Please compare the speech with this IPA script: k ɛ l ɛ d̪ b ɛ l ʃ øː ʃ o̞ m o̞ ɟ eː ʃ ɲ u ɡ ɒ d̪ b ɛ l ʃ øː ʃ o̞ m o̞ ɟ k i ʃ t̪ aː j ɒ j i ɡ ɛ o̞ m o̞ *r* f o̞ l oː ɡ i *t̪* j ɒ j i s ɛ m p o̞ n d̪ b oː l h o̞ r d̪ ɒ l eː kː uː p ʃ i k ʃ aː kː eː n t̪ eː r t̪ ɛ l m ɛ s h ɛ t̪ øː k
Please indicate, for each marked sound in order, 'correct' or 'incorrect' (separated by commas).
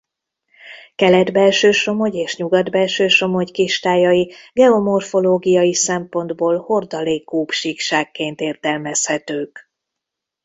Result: correct, incorrect